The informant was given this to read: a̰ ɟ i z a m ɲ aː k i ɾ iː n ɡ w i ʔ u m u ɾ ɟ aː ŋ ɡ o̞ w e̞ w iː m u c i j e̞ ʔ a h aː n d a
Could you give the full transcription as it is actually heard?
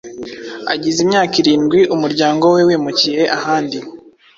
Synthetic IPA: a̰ ɟ i z i m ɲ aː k i ɾ iː n ɡ w i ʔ u m u ɾ ɟ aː ŋ ɡ o̞ w e̞ w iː m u c i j e̞ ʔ a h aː n d i

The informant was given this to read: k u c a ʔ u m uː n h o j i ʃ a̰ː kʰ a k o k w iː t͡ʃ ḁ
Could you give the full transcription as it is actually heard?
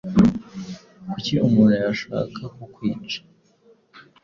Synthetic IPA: k u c i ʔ u m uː n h u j a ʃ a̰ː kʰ a k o k w iː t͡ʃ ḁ

